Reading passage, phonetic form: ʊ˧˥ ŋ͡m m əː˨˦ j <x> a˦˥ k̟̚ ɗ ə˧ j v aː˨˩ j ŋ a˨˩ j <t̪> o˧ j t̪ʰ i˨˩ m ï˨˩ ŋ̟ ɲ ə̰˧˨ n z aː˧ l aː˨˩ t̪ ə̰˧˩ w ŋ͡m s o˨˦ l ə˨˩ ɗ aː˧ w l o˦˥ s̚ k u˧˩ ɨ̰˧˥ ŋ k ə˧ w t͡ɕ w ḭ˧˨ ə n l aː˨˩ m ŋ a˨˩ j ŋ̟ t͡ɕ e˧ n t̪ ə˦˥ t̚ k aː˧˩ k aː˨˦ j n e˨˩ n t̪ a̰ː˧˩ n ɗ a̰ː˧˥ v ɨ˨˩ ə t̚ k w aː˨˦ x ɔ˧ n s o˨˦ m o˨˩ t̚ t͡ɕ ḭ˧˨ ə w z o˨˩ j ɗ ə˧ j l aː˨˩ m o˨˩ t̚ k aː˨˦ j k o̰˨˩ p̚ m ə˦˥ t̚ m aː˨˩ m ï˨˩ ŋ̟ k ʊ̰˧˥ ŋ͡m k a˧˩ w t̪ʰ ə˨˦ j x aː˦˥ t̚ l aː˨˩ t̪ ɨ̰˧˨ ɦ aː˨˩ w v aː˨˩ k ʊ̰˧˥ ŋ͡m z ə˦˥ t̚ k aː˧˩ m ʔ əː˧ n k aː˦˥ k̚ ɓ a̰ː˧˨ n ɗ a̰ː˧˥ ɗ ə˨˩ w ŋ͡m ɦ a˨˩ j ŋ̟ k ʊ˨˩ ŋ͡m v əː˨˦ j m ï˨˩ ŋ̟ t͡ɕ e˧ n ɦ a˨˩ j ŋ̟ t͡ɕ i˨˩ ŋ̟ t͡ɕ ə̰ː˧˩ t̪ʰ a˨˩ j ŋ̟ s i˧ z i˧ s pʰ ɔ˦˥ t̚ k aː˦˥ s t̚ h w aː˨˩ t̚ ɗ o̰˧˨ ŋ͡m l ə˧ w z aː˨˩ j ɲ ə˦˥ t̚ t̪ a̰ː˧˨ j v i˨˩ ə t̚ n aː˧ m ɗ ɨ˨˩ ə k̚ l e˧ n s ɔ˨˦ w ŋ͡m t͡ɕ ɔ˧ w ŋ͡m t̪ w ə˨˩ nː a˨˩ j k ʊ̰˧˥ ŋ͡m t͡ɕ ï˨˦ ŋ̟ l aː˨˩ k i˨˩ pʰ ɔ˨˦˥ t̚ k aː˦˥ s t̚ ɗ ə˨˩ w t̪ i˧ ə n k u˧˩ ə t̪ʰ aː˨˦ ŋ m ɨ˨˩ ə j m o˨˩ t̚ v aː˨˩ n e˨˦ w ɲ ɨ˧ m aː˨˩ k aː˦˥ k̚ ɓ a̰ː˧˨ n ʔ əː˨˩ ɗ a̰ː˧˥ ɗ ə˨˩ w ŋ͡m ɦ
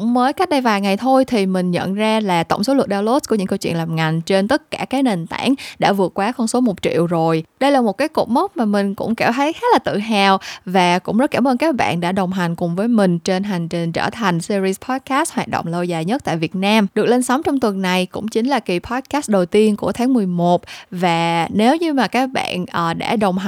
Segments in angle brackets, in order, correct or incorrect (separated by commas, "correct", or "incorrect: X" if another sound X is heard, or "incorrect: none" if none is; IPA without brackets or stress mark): incorrect: k, incorrect: t̪ʰ